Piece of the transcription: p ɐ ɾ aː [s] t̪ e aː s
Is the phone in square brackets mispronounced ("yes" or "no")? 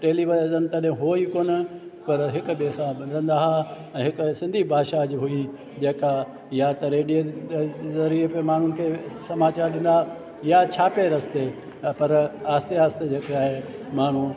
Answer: no